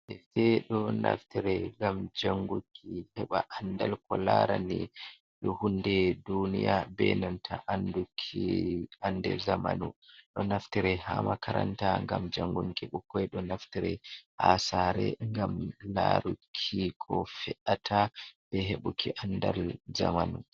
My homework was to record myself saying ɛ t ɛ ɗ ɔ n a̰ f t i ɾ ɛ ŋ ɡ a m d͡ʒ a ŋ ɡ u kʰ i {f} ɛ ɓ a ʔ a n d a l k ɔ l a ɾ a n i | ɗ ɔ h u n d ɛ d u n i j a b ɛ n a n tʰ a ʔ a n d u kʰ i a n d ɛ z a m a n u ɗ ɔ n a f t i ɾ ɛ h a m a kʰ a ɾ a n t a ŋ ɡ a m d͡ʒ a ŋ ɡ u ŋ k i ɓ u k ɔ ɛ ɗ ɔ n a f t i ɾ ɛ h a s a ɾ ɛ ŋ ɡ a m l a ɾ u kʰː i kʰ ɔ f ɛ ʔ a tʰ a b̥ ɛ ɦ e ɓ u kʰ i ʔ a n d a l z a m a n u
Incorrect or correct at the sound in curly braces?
incorrect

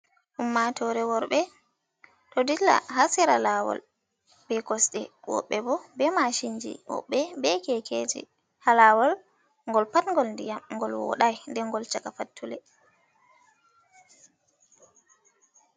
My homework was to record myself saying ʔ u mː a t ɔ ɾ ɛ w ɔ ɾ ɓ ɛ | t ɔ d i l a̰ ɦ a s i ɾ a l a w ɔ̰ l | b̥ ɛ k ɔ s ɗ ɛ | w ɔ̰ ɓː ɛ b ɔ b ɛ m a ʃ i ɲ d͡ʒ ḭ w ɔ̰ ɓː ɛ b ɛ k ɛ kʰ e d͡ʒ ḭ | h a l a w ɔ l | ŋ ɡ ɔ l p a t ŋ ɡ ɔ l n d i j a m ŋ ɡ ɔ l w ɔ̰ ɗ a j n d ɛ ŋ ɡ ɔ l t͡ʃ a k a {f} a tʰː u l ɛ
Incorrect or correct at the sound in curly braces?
correct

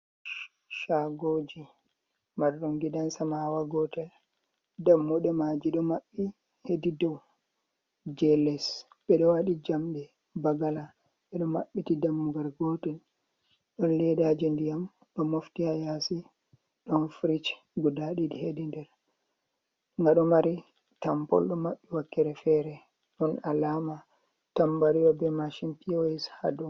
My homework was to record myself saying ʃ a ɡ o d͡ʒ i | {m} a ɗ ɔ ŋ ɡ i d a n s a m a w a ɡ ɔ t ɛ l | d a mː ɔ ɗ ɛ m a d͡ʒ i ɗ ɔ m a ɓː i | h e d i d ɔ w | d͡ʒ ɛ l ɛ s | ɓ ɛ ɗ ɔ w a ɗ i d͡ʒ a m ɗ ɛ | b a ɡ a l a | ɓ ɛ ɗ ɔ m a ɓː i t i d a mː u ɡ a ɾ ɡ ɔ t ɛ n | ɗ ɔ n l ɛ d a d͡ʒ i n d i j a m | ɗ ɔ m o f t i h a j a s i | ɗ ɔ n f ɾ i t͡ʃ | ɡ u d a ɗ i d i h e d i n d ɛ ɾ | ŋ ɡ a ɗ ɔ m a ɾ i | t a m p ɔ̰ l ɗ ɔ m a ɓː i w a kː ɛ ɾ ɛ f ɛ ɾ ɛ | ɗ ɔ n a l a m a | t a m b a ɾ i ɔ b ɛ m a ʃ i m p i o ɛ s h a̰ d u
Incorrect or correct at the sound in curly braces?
correct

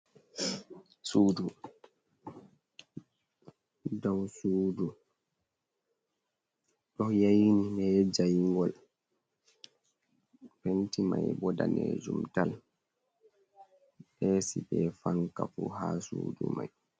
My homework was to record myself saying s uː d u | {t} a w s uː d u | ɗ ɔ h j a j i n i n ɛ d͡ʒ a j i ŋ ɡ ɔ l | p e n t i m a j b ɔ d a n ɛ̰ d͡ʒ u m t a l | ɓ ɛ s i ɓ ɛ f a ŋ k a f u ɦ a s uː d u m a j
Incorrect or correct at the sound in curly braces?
incorrect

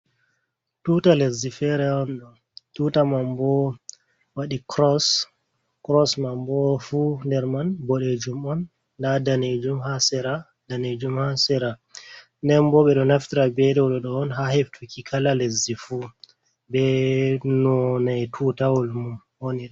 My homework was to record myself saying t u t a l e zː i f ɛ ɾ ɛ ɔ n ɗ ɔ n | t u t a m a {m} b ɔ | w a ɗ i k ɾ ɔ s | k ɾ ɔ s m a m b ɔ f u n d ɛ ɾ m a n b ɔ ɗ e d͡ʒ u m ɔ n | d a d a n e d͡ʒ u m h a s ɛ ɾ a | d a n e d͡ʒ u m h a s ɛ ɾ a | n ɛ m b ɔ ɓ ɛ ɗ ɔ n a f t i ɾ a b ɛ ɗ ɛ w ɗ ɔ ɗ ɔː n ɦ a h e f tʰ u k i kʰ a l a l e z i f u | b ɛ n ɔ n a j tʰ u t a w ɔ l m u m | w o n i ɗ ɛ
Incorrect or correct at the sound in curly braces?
correct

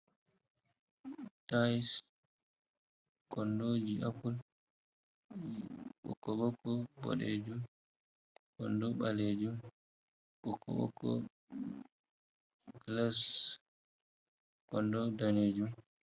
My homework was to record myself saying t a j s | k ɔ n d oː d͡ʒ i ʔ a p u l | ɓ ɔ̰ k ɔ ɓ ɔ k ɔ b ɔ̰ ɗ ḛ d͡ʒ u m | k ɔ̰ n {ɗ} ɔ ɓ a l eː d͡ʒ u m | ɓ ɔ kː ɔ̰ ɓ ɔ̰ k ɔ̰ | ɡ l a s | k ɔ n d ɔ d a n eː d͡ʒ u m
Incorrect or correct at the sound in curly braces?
incorrect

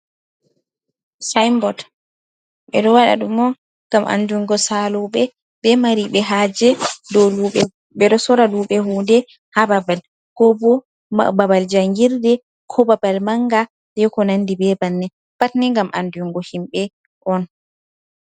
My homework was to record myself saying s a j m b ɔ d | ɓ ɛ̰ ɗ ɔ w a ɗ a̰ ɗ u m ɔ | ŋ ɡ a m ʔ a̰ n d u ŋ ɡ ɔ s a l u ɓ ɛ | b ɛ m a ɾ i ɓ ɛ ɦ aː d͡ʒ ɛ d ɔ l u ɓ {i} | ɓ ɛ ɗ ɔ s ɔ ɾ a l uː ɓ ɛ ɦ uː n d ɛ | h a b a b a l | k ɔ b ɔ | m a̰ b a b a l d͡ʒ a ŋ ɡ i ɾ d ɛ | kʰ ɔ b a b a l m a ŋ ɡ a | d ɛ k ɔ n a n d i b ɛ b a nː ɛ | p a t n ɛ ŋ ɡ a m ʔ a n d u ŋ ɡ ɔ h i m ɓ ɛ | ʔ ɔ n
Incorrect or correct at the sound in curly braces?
incorrect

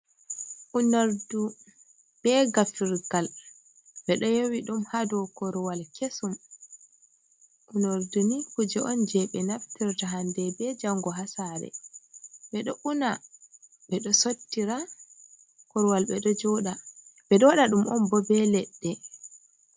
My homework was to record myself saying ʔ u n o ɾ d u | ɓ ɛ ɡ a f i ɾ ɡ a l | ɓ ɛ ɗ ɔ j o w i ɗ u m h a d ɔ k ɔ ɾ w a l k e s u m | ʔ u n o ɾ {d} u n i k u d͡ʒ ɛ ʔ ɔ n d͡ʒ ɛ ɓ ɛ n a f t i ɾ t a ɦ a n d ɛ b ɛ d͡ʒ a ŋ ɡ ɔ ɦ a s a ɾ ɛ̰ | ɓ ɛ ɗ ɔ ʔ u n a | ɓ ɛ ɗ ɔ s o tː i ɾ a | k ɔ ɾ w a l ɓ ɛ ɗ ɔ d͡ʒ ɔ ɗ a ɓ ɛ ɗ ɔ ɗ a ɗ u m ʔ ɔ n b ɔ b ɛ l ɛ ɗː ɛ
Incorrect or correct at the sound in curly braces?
correct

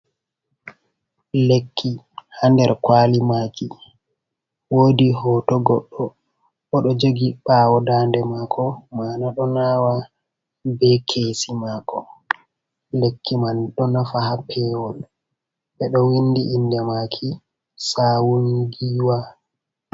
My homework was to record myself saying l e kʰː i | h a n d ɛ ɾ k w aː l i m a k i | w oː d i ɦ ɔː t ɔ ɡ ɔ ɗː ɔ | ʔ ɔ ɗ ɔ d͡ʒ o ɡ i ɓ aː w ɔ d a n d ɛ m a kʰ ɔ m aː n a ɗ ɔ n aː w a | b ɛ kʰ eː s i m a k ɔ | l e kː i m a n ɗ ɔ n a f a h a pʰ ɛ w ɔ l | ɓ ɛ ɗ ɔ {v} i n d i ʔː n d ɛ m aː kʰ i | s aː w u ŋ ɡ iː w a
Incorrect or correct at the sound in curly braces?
incorrect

